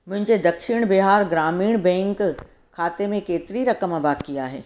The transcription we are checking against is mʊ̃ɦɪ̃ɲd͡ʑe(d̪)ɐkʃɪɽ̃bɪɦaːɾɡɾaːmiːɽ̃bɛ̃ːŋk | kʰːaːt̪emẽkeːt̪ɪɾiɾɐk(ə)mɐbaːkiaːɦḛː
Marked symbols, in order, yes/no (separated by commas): yes, yes